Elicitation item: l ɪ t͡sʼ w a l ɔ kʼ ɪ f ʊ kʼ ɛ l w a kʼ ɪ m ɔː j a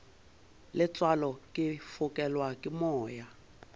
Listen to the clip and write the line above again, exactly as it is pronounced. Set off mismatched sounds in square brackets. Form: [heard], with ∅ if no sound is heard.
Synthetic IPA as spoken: l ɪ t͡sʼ w a l ɔ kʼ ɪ f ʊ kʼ ɛ l w a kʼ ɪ m ɔː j a